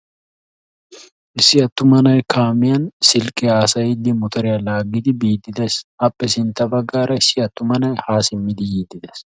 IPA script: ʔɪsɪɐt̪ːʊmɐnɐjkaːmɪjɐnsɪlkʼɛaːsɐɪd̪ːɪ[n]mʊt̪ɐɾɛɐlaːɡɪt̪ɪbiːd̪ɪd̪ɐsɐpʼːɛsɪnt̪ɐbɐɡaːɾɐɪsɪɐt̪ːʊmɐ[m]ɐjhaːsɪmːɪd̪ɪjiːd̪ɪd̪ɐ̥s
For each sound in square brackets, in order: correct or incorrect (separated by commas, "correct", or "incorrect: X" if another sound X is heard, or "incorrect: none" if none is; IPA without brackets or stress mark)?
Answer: incorrect: none, incorrect: n